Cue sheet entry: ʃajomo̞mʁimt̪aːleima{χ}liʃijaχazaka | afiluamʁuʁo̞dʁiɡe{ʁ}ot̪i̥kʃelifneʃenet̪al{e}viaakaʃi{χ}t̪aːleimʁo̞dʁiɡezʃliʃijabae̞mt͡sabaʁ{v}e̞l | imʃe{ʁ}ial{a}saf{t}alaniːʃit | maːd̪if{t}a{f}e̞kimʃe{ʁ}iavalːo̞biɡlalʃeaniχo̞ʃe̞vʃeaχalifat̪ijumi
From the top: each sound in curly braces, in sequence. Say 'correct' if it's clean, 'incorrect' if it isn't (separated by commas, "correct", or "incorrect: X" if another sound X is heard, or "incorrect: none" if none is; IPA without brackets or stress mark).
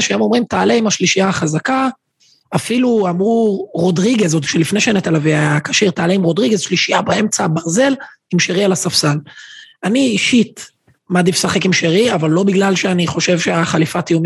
incorrect: ʃ, incorrect: z, incorrect: a, incorrect: ʁ, incorrect: z, correct, correct, incorrect: s, incorrect: s, incorrect: χ, correct